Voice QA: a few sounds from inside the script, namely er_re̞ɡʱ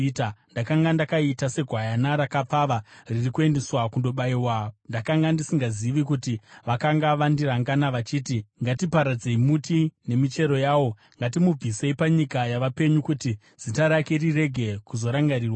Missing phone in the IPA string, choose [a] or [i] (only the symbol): i